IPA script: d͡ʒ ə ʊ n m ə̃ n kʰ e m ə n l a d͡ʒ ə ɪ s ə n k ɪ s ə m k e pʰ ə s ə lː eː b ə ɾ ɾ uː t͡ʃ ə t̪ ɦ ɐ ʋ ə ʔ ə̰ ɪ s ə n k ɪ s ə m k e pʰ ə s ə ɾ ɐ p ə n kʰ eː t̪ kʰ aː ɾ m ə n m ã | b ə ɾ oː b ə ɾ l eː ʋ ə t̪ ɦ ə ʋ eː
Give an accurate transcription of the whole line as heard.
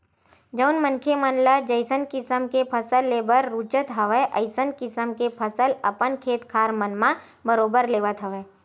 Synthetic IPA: d͡ʒ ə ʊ n m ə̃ n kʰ e m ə n l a d͡ʒ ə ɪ s ə n k ɪ s ə m k e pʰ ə s ə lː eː b ə ɾ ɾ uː t͡ʃ ə t̪ ɦ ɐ ʋ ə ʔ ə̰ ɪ s ə n k ɪ s ə m k e pʰ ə s ə l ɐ p ə n kʰ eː t̪ kʰ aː ɾ m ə n m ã | b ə ɾ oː b ə ɾ l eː ʋ ə t̪ ɦ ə ʋ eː

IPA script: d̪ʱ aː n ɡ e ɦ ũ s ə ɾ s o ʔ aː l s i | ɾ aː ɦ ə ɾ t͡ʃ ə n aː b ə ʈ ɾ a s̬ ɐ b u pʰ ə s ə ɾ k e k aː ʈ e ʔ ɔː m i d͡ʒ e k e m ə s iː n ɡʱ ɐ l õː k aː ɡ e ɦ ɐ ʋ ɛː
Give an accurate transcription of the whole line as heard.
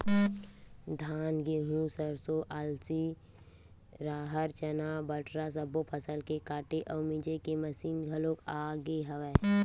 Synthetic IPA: d̪ʱ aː n ɡ e ɦ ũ s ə ɾ s o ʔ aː l s i | ɾ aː ɦ ə ɾ t͡ʃ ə n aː b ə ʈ ɾ a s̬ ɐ b o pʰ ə s ə l k e k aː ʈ e ʔ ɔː m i d͡ʒ e k e m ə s iː n ɡʱ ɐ l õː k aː ɡ e ɦ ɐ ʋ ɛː

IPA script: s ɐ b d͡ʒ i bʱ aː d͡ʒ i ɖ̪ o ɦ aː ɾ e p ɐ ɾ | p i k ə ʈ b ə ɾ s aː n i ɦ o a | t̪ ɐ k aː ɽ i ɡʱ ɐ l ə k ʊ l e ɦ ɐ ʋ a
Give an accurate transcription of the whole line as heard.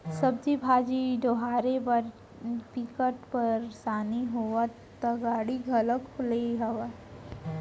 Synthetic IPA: s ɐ b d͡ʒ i bʱ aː d͡ʒ i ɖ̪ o ɦ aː ɾ e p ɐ ɾ | p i k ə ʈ p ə ɾ s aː n i ɦ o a | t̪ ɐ ɡ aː ɽ i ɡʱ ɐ l ə k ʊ l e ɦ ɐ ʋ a

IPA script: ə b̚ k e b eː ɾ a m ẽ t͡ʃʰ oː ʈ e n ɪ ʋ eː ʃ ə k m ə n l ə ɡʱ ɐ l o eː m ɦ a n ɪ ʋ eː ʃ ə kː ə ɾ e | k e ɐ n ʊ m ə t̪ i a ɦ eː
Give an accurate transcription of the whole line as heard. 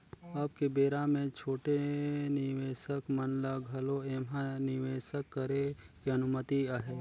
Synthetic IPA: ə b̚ k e b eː ɾ a m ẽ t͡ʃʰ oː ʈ e n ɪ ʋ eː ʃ ə k m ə n l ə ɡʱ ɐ l o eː m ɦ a n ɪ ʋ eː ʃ ə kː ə ɾ e | k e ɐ n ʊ m ə t̪ i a ɦ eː

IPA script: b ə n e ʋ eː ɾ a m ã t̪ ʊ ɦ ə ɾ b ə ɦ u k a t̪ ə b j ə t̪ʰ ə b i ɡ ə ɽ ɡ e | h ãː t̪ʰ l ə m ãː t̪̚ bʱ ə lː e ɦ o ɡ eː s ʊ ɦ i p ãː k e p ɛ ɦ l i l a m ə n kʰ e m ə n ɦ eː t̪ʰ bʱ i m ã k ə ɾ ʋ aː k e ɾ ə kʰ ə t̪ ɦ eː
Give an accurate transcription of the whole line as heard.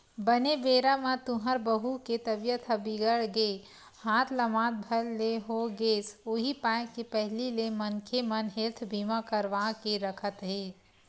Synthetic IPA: b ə n e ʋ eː ɾ a m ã t̪ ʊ ɦ ə ɾ b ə ɦ u k e t̪ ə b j ə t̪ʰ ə b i ɡ ə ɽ ɡ e | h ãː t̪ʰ l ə m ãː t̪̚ bʱ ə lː e ɦ o ɡ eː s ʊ ɦ i p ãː k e p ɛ ɦ l i l e m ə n kʰ e m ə n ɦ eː t̪ʰ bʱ i m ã k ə ɾ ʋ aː k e ɾ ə kʰ ə t̪ ɦ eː

